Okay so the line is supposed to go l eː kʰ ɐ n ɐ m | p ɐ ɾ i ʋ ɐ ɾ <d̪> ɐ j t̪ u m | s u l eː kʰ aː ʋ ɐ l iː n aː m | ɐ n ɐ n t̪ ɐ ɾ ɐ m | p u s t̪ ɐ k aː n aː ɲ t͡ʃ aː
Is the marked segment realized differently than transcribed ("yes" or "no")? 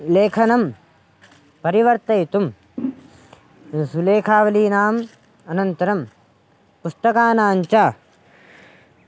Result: yes